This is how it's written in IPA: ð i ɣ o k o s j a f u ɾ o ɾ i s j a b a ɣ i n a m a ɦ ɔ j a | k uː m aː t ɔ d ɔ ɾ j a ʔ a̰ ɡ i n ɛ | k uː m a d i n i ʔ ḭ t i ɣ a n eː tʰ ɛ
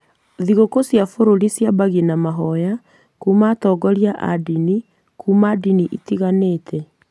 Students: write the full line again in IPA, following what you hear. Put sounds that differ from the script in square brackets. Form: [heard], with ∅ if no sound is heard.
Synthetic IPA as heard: ð i ɣ o k o s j a f [o] ɾ o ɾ i s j a b a ɣ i n a m a ɦ ɔ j a | k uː m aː t ɔ [ɡ] ɔ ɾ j a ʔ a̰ [d] i n [i] | k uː m a d i n i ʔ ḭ t i ɣ a n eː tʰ ɛ